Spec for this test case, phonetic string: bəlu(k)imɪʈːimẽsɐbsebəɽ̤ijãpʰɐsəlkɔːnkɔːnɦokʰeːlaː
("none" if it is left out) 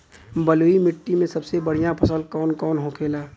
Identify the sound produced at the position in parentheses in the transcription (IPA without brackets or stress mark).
none